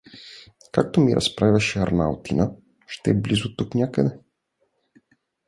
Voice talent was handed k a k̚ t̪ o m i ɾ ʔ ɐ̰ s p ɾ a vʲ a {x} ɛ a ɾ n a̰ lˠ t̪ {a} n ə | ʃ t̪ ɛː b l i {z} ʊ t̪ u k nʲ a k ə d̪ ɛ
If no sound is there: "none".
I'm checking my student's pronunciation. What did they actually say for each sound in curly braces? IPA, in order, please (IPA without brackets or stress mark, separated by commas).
ʃ, i, z